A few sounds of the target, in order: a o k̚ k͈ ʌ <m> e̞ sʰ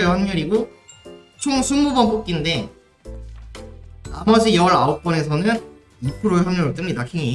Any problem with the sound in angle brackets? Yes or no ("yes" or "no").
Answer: yes